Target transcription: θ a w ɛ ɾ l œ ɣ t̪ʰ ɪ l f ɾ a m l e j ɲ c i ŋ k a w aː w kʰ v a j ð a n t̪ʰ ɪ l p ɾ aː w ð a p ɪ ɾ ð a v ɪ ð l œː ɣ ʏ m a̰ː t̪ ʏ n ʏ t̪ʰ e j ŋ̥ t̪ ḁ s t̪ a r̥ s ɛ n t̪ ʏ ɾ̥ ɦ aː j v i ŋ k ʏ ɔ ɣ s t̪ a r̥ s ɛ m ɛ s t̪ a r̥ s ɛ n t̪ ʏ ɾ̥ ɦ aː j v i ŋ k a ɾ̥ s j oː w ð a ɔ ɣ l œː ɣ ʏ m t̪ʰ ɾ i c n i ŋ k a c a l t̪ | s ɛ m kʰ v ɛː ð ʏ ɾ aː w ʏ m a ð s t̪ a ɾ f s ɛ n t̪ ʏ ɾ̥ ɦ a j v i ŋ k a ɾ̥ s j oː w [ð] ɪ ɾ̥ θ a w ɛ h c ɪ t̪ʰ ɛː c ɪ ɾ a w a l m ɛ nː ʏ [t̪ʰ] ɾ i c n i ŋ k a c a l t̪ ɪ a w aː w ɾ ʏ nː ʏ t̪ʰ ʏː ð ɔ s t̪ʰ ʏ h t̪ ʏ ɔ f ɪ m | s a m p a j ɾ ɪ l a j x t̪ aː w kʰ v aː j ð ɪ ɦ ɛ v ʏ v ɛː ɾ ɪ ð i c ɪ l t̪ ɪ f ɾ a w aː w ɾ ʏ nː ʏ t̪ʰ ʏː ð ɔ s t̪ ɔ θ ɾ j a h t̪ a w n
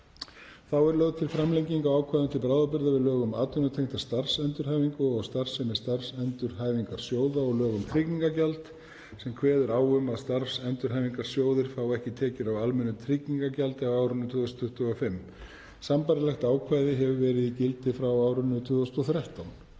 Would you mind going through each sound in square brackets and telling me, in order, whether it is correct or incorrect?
correct, correct

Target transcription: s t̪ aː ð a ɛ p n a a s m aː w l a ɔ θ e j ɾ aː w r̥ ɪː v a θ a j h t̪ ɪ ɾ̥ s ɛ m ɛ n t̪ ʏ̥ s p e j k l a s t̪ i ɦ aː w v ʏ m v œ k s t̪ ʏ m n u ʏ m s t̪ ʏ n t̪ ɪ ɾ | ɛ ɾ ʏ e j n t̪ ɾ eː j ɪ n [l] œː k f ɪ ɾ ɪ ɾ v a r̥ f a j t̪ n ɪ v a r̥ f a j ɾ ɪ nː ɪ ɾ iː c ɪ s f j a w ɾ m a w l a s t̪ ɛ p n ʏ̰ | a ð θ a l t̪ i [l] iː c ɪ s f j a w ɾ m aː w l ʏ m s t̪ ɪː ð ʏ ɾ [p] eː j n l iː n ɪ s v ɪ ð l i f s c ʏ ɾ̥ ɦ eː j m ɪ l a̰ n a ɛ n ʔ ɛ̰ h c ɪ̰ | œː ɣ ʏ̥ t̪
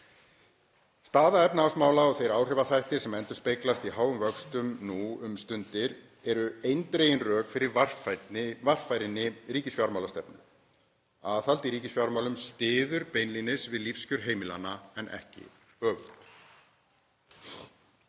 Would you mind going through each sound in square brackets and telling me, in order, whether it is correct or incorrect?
incorrect, incorrect, correct

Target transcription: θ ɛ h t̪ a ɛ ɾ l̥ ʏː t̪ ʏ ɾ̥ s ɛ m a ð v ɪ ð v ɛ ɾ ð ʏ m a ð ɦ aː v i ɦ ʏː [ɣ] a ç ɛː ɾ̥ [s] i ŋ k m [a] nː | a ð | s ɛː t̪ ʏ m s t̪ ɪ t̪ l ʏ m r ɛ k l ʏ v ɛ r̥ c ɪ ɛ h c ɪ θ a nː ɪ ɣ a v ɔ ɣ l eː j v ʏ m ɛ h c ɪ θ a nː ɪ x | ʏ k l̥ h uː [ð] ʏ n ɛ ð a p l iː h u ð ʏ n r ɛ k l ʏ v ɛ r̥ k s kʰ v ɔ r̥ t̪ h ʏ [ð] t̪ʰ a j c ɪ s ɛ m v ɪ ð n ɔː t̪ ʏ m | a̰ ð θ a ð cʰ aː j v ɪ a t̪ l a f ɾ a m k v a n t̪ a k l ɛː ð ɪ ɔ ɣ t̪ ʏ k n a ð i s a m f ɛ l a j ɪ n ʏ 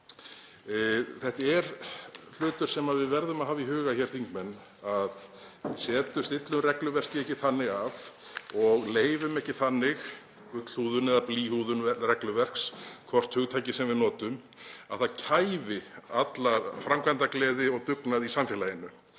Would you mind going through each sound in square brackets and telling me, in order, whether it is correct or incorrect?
correct, incorrect, incorrect, correct, incorrect

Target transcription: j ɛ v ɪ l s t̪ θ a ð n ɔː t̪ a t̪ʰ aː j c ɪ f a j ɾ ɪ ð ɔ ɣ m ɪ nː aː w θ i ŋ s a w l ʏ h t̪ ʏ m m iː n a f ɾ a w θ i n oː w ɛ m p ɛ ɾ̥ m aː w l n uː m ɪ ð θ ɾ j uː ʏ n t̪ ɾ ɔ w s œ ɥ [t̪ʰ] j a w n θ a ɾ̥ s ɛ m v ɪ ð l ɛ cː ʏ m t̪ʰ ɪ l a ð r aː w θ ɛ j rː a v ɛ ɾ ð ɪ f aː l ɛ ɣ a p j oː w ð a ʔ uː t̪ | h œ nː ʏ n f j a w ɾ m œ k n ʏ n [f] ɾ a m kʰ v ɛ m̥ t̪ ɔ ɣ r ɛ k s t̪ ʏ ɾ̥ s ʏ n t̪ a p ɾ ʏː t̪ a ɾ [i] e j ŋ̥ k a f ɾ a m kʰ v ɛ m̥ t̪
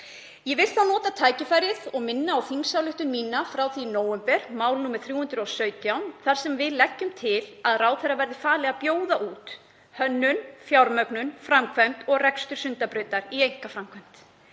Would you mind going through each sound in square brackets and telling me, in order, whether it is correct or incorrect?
incorrect, correct, correct

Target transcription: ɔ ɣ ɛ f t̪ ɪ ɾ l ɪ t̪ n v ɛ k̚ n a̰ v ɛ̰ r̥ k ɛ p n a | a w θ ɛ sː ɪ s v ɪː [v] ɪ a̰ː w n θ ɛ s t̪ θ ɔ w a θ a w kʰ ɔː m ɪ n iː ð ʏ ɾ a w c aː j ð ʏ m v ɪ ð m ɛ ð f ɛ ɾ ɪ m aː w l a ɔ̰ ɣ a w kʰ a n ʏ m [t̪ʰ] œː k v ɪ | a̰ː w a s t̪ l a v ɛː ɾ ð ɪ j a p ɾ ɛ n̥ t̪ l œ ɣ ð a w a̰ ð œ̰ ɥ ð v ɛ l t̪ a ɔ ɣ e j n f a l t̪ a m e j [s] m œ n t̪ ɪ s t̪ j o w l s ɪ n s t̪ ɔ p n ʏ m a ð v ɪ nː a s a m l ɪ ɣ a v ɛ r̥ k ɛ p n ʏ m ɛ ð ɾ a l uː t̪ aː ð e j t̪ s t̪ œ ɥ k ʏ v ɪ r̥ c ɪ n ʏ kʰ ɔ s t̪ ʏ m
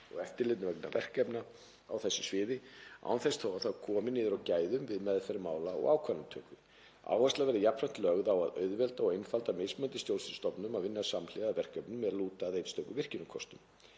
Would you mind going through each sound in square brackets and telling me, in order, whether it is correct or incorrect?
incorrect, correct, correct

